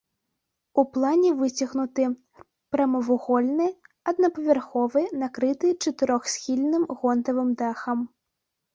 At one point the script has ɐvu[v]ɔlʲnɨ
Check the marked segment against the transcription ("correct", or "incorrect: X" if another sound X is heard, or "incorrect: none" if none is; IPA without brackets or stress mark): incorrect: ɣ